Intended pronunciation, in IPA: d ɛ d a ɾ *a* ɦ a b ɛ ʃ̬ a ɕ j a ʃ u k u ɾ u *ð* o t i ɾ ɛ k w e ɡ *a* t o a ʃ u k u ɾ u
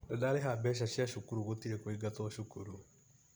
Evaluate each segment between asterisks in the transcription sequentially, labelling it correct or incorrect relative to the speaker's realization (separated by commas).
incorrect, incorrect, correct